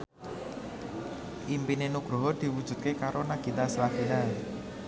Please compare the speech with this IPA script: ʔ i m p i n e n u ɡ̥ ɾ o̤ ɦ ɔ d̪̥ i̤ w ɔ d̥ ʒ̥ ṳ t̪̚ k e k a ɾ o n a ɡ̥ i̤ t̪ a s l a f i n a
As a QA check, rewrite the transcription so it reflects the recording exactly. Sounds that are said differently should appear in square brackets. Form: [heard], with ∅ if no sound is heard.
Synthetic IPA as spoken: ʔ i m p i n e n u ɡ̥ ɾ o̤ ɦ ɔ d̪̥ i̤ w [u] d̥ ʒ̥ ṳ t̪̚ k e k a ɾ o n a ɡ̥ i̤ t̪ a s l a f i n a